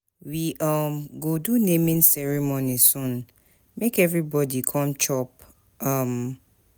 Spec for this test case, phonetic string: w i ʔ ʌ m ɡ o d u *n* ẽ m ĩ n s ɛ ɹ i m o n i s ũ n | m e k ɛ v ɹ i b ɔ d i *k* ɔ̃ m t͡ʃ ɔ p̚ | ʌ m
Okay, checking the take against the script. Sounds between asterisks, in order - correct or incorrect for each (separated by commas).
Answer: correct, incorrect